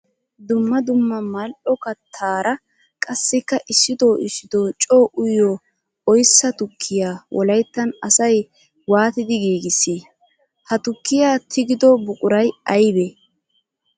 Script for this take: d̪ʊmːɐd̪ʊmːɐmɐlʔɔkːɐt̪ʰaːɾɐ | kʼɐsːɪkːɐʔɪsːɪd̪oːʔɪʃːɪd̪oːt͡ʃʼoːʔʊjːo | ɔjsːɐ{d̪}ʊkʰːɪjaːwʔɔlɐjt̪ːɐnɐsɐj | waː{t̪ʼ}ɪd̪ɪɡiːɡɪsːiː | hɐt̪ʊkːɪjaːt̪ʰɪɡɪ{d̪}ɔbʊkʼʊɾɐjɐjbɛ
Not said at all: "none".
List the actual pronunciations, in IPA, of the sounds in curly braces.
t̪, t̪, d̪

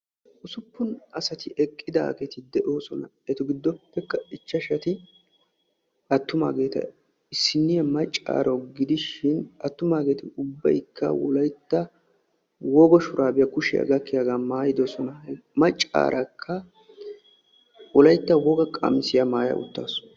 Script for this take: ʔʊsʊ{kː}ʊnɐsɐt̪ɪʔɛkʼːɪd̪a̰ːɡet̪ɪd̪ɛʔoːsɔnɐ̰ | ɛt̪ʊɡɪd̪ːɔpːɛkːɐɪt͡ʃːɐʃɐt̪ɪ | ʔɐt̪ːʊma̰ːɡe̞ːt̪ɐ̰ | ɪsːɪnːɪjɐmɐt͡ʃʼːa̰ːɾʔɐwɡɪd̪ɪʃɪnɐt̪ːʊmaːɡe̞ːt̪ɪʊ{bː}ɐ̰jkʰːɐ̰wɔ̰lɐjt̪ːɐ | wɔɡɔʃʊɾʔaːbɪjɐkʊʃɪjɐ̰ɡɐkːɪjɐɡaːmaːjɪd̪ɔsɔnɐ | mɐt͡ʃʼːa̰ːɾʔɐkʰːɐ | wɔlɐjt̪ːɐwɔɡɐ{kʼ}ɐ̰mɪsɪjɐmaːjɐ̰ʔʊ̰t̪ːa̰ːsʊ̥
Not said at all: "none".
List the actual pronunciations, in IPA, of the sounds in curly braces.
pː, bː, kʼ

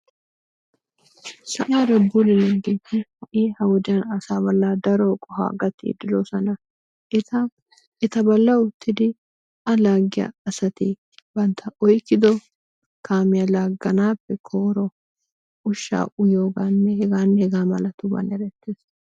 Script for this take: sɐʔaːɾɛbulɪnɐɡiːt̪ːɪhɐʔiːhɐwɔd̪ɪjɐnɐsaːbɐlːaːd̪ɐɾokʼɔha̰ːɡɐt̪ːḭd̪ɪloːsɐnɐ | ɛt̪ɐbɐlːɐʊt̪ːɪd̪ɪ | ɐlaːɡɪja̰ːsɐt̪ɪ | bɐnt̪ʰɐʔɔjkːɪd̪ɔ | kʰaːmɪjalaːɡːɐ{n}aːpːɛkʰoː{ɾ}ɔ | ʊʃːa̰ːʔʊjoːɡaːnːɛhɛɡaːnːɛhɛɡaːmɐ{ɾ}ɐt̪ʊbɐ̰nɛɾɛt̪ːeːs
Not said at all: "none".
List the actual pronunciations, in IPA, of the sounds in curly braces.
n, ɾ, l

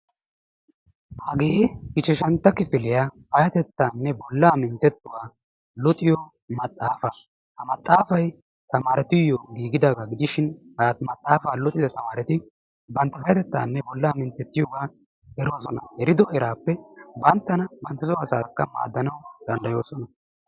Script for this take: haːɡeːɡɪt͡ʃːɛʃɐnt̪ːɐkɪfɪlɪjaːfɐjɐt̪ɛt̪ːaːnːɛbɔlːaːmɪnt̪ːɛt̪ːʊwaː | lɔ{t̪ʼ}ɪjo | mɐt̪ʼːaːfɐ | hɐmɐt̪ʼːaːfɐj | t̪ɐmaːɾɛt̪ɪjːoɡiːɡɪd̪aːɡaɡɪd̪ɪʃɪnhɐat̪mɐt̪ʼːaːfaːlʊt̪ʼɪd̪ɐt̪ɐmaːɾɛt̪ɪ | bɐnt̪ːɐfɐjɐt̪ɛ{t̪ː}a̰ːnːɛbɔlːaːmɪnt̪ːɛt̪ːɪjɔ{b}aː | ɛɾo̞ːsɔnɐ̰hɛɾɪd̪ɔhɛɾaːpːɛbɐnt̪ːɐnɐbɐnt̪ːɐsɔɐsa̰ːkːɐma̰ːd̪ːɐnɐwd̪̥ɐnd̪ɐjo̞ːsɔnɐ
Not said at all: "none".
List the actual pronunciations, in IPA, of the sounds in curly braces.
t̪ʼ, t̪ː, ɡ

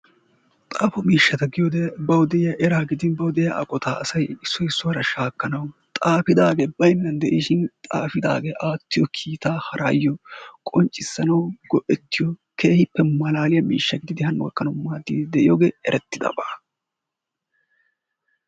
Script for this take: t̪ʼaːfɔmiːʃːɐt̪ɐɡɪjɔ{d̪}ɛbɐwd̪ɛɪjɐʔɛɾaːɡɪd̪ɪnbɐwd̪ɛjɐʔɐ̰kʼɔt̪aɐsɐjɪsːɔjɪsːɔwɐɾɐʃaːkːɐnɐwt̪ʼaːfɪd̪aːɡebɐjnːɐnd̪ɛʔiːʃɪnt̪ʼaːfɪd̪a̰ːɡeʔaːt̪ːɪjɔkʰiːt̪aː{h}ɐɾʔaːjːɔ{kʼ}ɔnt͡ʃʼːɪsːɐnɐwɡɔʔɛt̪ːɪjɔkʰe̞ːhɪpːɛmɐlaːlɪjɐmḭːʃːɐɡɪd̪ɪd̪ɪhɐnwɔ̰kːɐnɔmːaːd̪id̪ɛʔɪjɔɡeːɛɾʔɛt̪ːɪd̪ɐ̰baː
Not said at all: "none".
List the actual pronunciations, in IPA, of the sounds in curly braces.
d̪, h, kʼ

